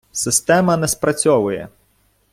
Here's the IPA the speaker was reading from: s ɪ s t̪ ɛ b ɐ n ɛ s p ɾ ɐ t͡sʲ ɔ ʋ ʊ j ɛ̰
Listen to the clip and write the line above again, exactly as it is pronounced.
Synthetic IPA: s ɪ s t̪ ɛ m ɐ n ɛ s p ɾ ɐ t͡sʲ ɔ ʋ ʊ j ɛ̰